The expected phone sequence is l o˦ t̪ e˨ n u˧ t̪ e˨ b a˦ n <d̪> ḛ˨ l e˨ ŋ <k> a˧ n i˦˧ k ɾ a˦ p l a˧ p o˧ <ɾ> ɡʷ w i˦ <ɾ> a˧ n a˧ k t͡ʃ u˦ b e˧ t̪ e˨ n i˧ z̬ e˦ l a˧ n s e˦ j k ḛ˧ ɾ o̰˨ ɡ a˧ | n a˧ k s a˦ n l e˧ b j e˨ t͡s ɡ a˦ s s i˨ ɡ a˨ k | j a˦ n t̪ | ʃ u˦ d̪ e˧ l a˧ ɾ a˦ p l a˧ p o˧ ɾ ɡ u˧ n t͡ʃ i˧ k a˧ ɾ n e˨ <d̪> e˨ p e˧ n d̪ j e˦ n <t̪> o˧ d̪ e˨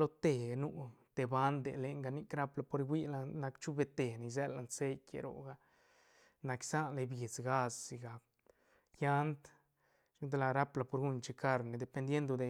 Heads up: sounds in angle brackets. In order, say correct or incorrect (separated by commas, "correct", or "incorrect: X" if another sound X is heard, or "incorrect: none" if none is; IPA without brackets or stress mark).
correct, incorrect: ɡ, correct, incorrect: l, correct, incorrect: d̪